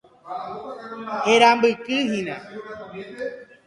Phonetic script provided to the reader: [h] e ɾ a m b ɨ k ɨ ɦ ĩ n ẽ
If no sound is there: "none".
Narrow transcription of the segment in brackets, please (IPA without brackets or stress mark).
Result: h